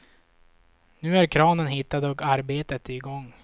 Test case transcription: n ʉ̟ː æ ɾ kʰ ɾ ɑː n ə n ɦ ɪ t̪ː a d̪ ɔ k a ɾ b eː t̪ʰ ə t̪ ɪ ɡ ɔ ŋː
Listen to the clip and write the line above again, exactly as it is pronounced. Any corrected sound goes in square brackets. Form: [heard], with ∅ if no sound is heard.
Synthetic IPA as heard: n ʉ̟ː æ ɾ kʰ ɾ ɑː n ə n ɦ ɪ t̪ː a d̪ ɔ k a ɾ b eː [t̪] ə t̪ ɪ ɡ ɔ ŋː